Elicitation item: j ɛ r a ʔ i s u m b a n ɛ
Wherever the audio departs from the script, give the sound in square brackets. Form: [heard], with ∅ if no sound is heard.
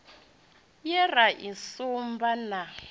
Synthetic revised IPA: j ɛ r a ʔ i s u m b a n [a]